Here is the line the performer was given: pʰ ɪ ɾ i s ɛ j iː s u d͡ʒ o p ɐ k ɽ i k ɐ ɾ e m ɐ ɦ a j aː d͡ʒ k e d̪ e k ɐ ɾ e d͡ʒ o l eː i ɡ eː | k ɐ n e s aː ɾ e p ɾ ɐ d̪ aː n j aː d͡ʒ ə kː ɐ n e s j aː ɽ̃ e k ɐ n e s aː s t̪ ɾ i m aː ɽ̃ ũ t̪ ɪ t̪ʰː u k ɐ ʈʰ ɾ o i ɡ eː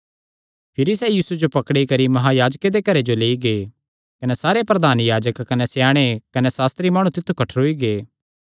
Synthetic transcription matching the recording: pʰ ɪ ɾ i s ɛ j iː s u d͡ʒ o p ɐ k ɽ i k ɐ ɾ i m ɐ ɦ a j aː d͡ʒ k e d̪ e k ɐ ɾ e d͡ʒ o l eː i ɡ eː | k ɐ n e s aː ɾ e p ɾ ɐ d̪ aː n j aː d͡ʒ ə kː ɐ n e s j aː ɽ̃ e k ɐ n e s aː s t̪ ɾ i m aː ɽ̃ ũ t̪ ɪ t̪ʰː u k ɐ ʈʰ ɾ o i ɡ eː